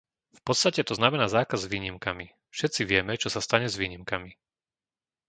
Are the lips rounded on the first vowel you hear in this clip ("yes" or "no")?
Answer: yes